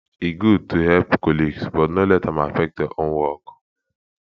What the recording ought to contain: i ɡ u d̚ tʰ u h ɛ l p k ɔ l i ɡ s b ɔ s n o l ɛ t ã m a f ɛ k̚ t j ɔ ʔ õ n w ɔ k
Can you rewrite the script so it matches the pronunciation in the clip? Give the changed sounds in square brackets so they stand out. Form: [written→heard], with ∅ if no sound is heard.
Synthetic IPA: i ɡ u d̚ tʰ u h ɛ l p k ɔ l i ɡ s b ɔ [s→t] n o l ɛ t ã m a f ɛ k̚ t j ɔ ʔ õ n w ɔ k